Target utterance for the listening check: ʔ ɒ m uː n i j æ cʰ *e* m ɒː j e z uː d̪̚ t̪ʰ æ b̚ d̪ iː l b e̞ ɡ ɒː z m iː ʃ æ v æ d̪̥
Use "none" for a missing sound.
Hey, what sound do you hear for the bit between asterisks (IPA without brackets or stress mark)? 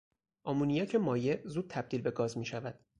e